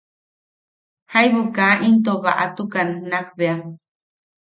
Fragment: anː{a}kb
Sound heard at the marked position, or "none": a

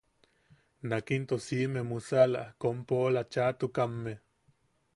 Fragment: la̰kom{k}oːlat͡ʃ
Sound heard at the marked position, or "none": p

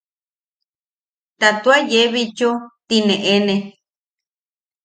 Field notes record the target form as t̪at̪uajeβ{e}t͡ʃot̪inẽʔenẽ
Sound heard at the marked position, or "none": i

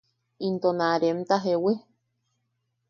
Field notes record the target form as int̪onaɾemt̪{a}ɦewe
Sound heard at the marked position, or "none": a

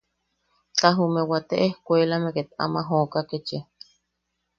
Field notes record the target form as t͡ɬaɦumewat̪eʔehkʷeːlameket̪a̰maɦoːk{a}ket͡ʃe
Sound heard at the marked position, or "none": a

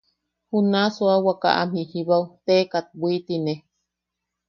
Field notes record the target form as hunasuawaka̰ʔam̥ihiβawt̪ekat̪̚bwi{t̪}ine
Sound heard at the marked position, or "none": t̪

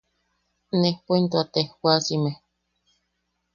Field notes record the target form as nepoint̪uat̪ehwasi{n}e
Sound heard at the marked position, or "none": m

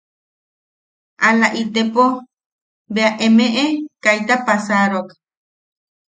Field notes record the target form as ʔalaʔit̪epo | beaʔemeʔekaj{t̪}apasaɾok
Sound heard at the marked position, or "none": t̪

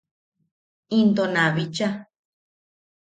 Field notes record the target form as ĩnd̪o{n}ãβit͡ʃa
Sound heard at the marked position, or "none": n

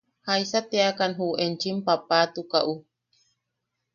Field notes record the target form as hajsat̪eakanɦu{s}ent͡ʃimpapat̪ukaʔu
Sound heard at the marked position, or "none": none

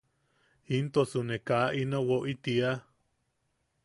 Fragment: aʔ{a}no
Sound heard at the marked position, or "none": i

